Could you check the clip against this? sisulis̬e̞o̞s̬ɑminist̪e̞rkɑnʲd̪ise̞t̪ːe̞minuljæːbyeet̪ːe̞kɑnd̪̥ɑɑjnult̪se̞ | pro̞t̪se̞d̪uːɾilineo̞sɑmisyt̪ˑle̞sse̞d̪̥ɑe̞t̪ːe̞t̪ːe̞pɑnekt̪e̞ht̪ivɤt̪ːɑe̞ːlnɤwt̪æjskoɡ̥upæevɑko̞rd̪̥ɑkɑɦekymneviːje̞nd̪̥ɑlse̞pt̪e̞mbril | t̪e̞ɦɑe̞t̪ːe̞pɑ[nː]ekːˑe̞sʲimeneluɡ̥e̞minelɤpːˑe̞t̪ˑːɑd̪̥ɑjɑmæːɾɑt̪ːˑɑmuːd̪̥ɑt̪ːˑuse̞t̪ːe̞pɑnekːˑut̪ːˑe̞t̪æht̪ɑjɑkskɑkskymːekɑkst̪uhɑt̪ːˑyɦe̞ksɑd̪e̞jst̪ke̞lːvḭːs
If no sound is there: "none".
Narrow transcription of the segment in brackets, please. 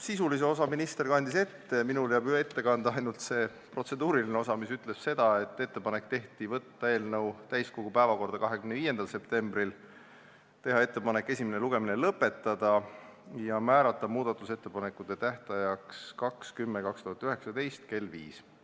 n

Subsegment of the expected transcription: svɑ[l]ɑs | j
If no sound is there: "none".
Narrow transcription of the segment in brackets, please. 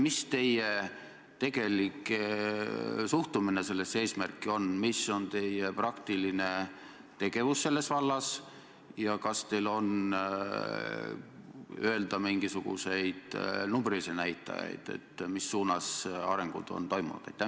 lː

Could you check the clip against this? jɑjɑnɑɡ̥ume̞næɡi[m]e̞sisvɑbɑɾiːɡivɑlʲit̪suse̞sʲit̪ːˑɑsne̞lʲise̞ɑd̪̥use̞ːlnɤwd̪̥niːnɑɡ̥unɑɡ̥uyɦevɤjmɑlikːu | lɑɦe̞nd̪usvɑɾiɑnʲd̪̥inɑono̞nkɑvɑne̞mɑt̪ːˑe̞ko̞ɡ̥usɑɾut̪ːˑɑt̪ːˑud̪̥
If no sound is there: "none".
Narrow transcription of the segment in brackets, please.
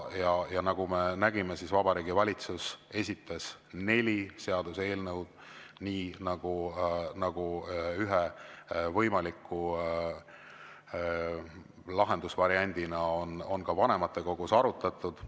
m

